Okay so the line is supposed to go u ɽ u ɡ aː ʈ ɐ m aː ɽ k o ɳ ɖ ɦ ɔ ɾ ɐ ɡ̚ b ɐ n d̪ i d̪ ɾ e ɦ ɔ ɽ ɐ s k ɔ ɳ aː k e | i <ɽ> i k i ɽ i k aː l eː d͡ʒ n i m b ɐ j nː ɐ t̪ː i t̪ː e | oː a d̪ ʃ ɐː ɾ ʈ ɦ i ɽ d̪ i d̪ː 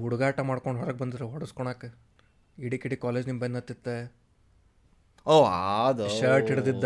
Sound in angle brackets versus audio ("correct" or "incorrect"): correct